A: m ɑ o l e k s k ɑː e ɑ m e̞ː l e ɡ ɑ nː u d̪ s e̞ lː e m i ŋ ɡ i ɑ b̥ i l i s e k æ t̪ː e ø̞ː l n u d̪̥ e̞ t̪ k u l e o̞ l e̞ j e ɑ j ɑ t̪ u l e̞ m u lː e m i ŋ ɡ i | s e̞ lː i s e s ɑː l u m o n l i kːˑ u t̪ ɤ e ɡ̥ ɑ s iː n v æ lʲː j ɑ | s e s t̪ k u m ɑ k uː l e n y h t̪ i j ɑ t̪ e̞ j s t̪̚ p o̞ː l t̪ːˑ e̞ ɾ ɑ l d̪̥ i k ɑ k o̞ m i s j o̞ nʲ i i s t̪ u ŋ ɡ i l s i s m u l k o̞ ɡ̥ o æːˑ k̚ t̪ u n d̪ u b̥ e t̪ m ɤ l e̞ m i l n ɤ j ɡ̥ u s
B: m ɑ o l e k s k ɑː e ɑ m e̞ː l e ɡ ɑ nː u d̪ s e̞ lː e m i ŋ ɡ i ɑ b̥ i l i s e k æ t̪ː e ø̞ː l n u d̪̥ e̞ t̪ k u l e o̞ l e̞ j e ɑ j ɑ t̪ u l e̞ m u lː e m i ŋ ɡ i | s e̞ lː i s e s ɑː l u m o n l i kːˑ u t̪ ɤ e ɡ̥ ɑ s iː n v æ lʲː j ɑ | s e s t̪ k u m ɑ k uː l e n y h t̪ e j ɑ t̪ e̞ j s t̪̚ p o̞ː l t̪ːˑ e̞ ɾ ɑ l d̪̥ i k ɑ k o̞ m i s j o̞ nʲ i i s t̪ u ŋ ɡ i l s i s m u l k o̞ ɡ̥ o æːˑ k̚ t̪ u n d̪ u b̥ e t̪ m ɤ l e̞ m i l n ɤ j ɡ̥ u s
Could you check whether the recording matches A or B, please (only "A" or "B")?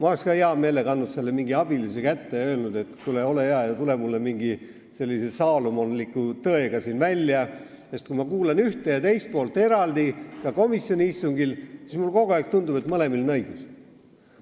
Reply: B